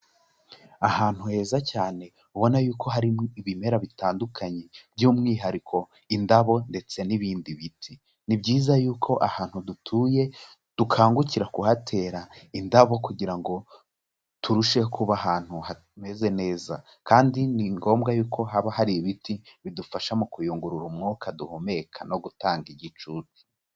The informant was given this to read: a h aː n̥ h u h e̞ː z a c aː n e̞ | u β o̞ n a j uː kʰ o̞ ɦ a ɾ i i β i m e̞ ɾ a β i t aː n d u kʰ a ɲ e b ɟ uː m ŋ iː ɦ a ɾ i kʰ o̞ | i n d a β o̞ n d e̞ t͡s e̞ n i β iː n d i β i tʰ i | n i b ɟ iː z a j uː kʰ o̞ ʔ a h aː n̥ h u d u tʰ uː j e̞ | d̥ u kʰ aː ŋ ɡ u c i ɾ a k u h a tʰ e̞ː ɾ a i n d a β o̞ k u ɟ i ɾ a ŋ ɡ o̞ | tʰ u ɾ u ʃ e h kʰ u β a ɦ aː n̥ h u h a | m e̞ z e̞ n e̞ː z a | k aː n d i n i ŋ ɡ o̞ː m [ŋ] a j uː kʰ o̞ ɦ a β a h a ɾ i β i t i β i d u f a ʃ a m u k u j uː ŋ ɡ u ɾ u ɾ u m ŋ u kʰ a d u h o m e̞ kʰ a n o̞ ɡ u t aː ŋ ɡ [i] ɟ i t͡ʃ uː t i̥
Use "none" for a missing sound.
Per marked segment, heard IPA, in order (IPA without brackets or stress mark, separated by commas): ɡ, i